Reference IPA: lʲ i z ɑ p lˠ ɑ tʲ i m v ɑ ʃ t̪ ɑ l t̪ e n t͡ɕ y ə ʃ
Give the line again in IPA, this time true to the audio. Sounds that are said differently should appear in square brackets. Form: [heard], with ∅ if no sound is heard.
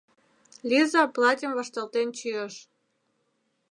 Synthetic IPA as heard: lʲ i z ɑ p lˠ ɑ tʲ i m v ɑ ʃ t̪ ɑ l t̪ e n t͡ɕ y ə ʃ